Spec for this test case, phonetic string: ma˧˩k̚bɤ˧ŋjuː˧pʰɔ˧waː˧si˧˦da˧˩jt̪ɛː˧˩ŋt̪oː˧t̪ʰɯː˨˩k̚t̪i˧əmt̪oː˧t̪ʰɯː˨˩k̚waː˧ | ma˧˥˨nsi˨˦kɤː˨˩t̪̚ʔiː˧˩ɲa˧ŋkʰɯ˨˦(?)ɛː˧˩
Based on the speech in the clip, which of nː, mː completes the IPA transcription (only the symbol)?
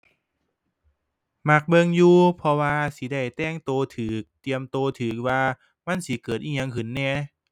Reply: nː